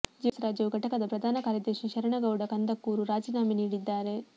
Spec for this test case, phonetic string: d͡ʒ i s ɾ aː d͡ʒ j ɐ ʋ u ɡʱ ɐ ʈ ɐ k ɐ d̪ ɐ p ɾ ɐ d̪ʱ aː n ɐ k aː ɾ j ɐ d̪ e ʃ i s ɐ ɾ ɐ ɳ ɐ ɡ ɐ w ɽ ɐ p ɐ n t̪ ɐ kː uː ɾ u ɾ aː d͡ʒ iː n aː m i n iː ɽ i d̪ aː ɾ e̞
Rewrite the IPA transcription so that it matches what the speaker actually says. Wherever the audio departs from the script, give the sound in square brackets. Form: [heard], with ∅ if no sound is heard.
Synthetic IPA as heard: d͡ʒ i s ɾ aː d͡ʒ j ɐ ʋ u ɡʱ ɐ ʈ ɐ k ɐ d̪ ɐ p ɾ ɐ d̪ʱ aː n ɐ k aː ɾ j ɐ d̪ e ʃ i [ʃ] ɐ ɾ ɐ ɳ ɐ ɡ ɐ w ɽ ɐ [k] ɐ n [d̪] ɐ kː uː ɾ u ɾ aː d͡ʒ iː n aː m i n iː ɽ i [d̪ː] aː ɾ e̞